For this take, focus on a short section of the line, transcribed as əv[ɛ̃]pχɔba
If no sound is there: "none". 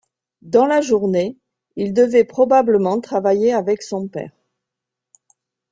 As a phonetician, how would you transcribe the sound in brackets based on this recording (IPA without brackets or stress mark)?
ɛ